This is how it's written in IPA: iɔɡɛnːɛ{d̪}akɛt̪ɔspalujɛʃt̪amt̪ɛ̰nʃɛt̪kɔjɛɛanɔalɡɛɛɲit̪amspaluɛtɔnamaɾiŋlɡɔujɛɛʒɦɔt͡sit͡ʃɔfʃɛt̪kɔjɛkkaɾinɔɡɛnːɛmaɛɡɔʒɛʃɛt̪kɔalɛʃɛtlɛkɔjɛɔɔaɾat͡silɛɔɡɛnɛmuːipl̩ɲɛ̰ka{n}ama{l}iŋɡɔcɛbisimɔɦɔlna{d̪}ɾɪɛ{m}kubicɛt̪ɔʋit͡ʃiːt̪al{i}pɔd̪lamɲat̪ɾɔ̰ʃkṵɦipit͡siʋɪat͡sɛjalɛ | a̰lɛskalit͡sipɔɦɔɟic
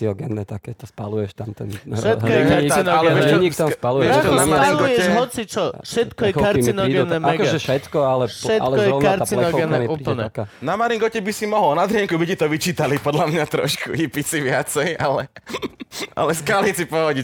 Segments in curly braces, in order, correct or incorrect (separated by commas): incorrect, correct, incorrect, correct, incorrect, correct